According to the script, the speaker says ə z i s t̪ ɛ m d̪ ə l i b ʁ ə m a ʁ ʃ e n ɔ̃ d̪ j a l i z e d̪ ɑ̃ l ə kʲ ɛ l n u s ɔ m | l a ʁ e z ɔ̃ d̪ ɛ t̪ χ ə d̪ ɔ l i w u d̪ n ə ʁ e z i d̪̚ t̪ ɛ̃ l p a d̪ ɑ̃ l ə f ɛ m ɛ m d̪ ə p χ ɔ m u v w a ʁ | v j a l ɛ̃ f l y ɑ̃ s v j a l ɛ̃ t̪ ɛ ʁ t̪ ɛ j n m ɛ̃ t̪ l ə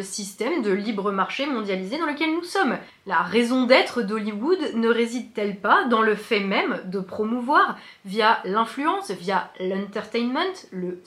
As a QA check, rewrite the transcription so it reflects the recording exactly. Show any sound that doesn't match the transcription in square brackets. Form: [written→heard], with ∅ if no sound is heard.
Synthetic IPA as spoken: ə [z→s] i s t̪ ɛ m d̪ ə l i b ʁ ə m a ʁ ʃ e [n→m] ɔ̃ d̪ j a l i z e d̪ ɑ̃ l ə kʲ ɛ l n u s ɔ m | l a ʁ e z ɔ̃ d̪ ɛ t̪ χ ə d̪ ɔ l i w u d̪ n ə ʁ e z i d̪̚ t̪ [ɛ̃→ɛ] l p a d̪ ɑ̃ l ə f ɛ m ɛ m d̪ ə p χ ɔ m u v w a ʁ | v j a l ɛ̃ f l y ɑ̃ s v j a l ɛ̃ t̪ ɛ ʁ t̪ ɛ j n m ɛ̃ t̪ l ə